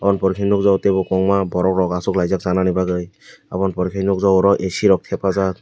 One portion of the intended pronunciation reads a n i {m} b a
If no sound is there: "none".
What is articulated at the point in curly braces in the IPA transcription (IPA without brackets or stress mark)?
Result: none